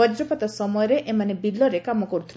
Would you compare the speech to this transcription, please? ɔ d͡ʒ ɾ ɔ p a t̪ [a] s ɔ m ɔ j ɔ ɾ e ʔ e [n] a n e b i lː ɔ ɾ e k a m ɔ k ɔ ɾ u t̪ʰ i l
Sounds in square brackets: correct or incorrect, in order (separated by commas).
correct, incorrect